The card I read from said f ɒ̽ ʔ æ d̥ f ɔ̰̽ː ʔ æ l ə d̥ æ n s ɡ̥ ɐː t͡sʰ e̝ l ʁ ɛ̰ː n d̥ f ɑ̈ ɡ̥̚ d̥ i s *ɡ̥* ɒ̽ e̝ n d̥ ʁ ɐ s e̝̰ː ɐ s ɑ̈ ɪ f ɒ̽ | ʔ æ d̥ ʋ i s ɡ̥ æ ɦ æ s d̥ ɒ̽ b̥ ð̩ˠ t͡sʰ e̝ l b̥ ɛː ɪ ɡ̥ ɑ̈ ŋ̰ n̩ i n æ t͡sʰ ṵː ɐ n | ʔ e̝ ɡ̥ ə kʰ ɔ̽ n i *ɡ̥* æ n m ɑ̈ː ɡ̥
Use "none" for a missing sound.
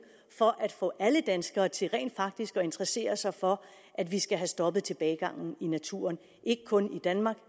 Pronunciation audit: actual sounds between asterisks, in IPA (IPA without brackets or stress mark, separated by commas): ɡ̥, d̥